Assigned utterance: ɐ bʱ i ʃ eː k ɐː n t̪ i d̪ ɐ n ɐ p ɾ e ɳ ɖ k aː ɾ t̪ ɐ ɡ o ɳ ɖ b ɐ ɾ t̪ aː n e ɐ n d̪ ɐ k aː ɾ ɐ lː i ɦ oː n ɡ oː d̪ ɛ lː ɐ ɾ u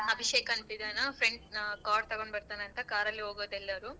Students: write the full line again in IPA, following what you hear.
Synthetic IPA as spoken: ɐ bʱ i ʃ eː k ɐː n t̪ i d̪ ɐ n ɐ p ɾ e ɳ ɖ k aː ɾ t̪ ɐ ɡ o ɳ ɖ b ɐ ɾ t̪ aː n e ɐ n t̪ ɐ k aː ɾ ɐ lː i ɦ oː ɡ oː d̪ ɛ lː ɐ ɾ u